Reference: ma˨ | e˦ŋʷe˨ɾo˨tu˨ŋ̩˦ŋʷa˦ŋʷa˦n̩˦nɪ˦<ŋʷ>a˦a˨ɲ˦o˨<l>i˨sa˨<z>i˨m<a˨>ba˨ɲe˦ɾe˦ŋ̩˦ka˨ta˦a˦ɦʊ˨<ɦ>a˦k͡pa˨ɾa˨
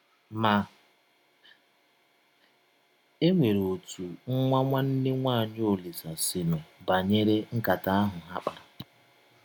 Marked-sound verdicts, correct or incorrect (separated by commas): correct, correct, incorrect, incorrect, correct